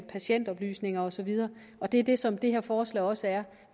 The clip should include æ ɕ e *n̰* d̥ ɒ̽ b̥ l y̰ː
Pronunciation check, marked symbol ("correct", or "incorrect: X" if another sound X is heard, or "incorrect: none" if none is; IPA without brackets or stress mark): correct